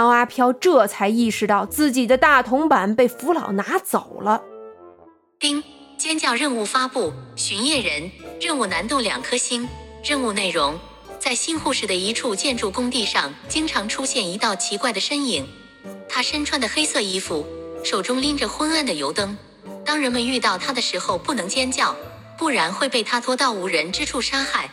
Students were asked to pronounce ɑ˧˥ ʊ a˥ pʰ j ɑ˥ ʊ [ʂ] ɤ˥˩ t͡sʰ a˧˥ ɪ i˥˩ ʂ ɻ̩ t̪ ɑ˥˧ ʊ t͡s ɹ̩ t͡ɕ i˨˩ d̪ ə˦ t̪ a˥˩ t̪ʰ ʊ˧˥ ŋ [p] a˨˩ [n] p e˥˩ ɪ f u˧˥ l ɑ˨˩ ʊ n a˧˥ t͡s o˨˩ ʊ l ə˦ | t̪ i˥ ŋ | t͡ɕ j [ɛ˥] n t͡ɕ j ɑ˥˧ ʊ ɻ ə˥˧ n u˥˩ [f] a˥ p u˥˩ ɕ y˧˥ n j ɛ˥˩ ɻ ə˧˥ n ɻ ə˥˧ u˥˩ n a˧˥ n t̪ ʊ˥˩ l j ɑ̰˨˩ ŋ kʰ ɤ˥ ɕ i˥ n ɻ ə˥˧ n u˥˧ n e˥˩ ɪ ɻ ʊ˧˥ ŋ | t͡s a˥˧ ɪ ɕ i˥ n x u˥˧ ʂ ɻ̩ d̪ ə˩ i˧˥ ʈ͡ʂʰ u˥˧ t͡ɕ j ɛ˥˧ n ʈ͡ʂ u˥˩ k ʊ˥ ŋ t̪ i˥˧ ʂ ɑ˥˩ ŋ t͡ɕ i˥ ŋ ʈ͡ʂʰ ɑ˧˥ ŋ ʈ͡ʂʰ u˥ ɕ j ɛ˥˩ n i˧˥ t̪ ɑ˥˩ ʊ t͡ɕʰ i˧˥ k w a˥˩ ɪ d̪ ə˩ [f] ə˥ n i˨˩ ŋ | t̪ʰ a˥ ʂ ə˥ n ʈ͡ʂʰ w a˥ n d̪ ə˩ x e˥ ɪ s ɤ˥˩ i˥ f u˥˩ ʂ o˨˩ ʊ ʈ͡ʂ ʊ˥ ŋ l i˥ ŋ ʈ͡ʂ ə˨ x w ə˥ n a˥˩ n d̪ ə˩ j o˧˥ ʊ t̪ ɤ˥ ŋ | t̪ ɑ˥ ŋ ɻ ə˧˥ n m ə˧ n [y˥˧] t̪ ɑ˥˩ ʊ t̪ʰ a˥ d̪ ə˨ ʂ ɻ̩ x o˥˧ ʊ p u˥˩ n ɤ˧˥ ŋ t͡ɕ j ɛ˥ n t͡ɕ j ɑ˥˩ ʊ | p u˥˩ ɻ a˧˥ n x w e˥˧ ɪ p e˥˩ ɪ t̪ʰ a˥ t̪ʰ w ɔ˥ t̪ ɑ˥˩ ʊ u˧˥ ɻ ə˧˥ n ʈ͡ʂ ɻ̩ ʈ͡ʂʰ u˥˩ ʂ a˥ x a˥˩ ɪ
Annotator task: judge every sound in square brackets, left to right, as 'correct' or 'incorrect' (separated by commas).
incorrect, correct, correct, correct, correct, incorrect, correct